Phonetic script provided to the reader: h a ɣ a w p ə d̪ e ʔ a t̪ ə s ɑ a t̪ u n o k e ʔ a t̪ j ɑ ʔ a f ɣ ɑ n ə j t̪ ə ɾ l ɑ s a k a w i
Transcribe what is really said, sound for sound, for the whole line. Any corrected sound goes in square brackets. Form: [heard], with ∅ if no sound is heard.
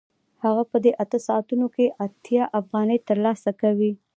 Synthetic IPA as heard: h a ɣ a [∅] p ə d̪ e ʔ a t̪ ə s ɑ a t̪ u n o k e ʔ a t̪ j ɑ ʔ a f ɣ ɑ n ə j t̪ ə ɾ l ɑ s a k a w i